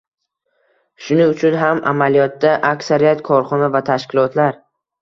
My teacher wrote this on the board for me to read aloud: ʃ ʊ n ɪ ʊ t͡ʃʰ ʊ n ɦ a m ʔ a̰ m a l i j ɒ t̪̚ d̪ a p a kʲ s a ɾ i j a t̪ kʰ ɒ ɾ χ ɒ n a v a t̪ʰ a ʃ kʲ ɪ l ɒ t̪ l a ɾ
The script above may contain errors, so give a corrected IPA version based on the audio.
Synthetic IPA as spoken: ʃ ʊ n ɪ ʊ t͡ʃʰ ʊ n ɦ a m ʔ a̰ m a l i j ɒ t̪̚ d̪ a ʔ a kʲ s a ɾ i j a t̪ kʰ ɒ ɾ χ ɒ n a v a t̪ʰ a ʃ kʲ ɪ l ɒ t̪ l a ɾ